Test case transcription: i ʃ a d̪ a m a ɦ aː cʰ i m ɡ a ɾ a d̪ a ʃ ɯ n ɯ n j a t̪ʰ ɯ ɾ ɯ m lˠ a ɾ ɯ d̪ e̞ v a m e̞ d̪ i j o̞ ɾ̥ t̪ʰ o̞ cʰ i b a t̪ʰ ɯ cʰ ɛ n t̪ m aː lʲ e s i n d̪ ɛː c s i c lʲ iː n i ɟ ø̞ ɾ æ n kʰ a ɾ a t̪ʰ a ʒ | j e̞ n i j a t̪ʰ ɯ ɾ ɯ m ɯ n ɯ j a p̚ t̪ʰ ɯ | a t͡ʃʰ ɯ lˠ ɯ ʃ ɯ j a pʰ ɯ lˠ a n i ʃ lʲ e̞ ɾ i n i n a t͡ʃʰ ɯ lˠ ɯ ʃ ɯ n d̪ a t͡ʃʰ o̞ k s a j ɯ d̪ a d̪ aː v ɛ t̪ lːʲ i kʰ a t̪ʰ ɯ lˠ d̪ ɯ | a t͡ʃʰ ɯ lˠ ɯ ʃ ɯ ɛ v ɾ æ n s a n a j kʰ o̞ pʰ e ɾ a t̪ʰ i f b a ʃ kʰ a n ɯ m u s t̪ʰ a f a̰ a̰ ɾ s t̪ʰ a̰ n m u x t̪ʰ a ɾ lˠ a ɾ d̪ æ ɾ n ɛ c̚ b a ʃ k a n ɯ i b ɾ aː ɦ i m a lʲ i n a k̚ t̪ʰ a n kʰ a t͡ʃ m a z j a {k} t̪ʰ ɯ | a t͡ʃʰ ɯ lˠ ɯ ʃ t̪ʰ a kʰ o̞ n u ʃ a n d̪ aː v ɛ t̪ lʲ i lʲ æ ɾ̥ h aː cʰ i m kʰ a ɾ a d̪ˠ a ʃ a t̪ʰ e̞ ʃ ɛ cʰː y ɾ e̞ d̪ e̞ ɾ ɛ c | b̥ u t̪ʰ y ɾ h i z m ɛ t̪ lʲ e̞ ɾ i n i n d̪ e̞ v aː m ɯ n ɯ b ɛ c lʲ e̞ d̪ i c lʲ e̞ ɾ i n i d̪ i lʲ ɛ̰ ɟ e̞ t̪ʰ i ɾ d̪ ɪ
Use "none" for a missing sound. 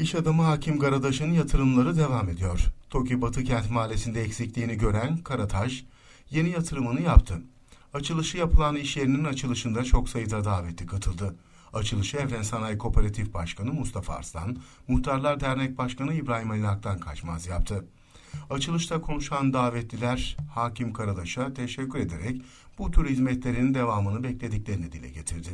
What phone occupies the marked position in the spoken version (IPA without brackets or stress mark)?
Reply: p